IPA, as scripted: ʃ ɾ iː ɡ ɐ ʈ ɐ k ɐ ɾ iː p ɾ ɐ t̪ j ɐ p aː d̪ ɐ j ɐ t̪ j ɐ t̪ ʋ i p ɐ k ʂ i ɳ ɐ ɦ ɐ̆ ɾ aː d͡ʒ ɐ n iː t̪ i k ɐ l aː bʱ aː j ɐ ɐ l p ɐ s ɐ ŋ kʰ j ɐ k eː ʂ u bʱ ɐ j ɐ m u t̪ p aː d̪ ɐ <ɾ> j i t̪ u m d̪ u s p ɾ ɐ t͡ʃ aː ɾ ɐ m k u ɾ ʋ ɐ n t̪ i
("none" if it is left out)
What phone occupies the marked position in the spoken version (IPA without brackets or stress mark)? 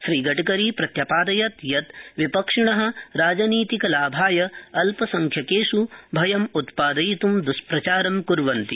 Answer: none